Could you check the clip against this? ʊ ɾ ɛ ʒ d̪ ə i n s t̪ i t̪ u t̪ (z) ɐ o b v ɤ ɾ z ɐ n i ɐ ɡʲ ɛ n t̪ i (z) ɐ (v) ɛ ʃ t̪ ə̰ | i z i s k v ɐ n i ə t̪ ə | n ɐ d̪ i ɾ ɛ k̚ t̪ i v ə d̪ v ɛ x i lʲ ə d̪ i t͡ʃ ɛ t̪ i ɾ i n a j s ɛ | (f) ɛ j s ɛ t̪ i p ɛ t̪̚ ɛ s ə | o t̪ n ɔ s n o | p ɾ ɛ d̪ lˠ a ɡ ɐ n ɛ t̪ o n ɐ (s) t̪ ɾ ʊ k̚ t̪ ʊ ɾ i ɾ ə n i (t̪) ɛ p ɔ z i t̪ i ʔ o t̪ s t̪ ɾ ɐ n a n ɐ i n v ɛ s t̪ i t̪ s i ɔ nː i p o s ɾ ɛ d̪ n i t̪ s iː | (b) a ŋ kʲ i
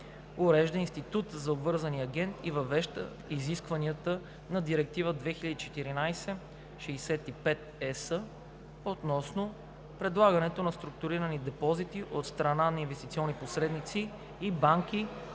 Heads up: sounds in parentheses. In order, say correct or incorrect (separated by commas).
correct, incorrect, correct, incorrect, correct, incorrect, correct